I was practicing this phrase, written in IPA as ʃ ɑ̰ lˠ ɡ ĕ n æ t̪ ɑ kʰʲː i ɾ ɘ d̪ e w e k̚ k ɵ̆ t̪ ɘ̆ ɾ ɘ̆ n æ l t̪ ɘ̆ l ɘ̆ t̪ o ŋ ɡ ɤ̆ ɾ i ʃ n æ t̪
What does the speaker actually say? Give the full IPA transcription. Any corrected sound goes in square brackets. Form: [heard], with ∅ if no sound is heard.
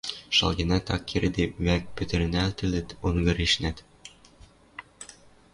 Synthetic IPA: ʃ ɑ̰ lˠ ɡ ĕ n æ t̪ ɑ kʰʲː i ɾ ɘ d̪ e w [æ] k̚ [p] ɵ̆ t̪ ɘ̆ ɾ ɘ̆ n æ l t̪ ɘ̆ l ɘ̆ t̪ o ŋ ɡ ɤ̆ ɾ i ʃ n æ t̪